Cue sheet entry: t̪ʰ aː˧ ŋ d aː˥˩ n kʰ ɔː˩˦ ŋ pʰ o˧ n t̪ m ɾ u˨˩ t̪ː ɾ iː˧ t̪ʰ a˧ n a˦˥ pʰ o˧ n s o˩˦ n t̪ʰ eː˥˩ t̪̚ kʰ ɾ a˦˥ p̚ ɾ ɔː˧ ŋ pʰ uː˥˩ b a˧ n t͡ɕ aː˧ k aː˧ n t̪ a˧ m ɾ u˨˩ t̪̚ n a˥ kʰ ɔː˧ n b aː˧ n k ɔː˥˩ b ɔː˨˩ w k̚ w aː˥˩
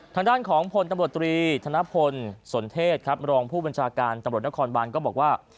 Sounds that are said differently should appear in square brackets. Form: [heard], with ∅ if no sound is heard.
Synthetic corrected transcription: t̪ʰ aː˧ ŋ d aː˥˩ n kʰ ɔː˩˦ ŋ pʰ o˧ n t̪ m ɾ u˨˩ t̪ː ɾ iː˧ t̪ʰ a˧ n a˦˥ pʰ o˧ n s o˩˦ n t̪ʰ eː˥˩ t̪̚ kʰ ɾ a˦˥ p̚ ɾ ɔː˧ ŋ pʰ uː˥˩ b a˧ n [t͡ɕʰ] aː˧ k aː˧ n t̪ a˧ m ɾ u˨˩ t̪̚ n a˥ kʰ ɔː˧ n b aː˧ n k ɔː˥˩ b ɔː˨˩ [∅] k̚ w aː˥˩